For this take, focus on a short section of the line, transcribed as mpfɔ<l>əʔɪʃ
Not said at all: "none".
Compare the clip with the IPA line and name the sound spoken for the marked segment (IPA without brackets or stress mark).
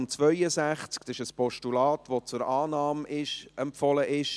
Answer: l